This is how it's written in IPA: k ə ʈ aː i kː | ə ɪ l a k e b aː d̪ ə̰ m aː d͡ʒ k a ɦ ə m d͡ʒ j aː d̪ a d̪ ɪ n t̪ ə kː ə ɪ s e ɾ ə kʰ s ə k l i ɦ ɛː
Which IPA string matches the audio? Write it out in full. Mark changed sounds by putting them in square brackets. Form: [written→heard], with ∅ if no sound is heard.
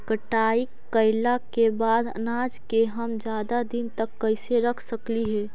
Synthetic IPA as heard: k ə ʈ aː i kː | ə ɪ l a k e b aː d̪ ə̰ [m→n] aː d͡ʒ k [a→e] ɦ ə m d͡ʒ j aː d̪ a d̪ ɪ n t̪ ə kː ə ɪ s e ɾ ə kʰ s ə k l i ɦ ɛː